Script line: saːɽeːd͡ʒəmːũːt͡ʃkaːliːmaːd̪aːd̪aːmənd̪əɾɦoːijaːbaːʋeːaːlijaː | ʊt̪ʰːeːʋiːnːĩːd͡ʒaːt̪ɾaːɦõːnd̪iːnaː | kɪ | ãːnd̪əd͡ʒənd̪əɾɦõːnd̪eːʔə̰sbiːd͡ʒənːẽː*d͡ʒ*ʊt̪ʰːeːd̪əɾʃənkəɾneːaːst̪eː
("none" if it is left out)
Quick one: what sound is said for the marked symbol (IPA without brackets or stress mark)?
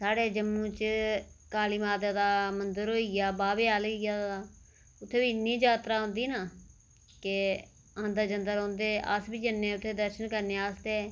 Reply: none